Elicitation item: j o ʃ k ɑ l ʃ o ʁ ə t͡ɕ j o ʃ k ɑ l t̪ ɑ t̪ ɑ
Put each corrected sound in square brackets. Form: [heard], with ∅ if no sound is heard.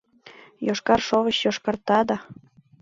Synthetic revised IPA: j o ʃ k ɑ [r] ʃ o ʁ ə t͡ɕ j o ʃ k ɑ [r] t̪ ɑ [d̪] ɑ